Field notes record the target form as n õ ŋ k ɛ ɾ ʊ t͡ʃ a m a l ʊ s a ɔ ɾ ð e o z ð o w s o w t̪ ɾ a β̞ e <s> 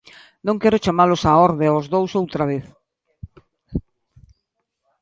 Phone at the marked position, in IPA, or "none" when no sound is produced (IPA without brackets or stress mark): θ